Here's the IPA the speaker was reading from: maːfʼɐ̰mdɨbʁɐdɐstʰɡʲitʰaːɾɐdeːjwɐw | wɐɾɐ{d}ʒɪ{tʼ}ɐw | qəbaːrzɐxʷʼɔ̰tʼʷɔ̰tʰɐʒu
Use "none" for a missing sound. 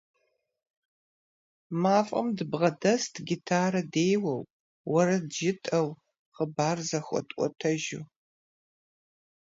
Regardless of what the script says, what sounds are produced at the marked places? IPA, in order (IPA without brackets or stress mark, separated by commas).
d, tʼ